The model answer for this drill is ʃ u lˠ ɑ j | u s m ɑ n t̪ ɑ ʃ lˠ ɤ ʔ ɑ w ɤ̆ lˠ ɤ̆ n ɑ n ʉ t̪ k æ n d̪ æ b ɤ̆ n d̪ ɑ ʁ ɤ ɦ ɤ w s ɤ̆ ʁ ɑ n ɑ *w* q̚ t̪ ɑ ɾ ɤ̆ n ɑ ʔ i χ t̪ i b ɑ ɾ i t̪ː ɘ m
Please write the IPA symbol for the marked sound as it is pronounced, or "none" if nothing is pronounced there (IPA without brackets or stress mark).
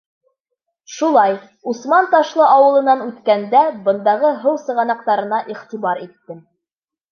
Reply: none